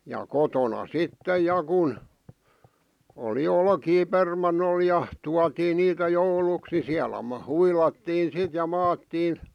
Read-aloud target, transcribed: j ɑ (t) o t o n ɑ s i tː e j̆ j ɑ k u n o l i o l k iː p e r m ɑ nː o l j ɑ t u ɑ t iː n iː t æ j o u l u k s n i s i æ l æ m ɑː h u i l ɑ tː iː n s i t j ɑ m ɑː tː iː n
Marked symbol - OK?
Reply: no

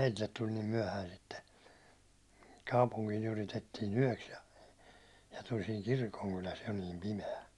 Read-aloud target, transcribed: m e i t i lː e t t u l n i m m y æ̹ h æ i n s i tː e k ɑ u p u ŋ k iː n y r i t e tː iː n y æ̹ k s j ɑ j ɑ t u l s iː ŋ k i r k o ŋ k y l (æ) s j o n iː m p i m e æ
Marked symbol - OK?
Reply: yes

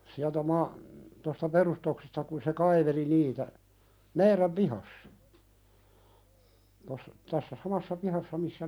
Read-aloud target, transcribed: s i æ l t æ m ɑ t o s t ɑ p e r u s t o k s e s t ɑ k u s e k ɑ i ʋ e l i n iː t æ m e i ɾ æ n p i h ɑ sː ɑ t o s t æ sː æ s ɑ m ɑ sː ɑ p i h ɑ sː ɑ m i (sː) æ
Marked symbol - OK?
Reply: yes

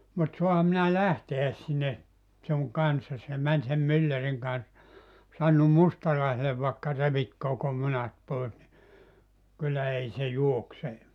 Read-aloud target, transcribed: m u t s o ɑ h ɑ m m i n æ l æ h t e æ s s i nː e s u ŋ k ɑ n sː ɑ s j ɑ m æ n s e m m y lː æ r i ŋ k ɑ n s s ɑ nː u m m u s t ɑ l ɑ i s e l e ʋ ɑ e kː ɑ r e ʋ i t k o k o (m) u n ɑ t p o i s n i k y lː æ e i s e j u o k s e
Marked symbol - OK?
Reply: yes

